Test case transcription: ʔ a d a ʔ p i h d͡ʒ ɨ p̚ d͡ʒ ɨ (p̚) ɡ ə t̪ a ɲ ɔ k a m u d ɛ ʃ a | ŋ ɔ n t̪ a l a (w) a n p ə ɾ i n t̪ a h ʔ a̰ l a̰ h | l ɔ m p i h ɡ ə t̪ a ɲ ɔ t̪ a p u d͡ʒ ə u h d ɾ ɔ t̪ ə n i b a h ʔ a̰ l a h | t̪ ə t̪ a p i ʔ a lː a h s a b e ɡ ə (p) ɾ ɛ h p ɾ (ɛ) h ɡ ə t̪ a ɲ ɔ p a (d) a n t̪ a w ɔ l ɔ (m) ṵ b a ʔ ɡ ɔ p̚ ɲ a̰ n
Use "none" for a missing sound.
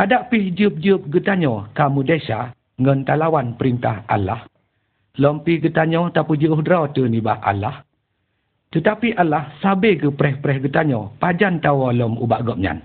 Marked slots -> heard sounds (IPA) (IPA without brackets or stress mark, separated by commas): p̚, w, p, ɛ, d͡ʒ, m